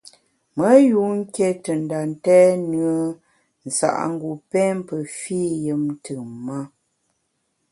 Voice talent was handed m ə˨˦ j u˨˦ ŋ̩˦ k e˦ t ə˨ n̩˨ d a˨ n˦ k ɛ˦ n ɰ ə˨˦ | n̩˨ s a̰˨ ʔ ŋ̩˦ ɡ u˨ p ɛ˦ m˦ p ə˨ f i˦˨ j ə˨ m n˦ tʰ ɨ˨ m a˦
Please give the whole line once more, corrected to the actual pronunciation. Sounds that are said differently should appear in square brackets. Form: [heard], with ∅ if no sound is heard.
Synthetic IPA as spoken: m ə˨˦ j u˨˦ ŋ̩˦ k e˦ t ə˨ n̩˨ d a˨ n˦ [t] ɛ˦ n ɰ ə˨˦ | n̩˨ s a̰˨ ʔ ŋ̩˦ ɡ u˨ p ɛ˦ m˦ p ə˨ f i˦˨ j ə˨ m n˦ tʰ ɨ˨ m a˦